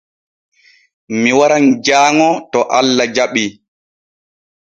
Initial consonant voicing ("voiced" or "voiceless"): voiced